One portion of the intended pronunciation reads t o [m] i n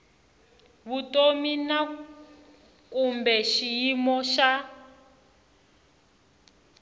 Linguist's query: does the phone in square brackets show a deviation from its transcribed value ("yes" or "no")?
no